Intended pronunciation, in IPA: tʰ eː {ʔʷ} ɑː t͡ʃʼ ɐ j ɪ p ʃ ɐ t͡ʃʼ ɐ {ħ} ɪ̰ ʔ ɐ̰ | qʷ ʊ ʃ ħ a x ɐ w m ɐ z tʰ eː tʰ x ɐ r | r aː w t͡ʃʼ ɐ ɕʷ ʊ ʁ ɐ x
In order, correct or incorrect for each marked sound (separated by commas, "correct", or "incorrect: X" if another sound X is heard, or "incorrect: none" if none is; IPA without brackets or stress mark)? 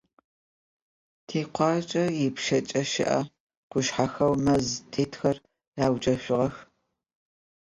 incorrect: qʷ, incorrect: ʃ